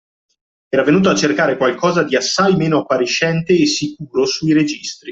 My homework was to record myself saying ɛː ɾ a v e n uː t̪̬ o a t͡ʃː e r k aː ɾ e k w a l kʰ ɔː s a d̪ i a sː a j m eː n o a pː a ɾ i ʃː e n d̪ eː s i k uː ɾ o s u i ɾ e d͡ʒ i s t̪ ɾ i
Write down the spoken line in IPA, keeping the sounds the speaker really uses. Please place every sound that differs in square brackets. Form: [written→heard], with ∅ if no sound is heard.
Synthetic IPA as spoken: ɛː ɾ a v e n uː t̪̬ o a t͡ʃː e r k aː ɾ e k w a l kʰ ɔː [s→z] a d̪ i a sː a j m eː n o a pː a ɾ i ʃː [e→ɛ] n [d̪→t̪] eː s i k uː ɾ o s u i ɾ e d͡ʒ i s t̪ ɾ i